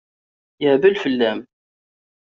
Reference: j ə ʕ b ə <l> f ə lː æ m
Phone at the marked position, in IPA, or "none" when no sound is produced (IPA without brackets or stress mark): l